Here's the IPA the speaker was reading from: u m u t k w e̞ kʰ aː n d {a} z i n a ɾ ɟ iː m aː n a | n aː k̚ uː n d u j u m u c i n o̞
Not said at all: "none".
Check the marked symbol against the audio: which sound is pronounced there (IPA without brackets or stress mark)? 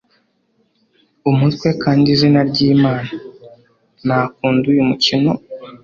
i